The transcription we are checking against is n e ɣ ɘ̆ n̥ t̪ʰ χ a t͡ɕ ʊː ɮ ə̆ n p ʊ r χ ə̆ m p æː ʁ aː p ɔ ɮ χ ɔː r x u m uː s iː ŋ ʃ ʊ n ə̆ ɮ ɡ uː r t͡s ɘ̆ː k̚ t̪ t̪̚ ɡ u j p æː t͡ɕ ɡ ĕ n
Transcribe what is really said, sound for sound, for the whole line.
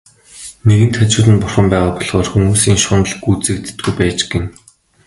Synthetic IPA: n e ɣ ɘ̆ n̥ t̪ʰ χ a t͡ɕ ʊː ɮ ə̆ n p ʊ r χ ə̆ m p æː ʁ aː p ɔ ɮ χ ɔː r x u m uː s iː ŋ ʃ ʊ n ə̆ ɮ ɡ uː t͡s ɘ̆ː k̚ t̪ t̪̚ ɡ u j p æː t͡ɕ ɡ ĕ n